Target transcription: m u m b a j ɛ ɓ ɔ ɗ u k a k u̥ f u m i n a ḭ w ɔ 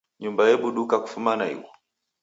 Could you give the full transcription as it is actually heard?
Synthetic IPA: ɲ u m b a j ɛ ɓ u ɗ u k a k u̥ f u m a n a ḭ w ɔ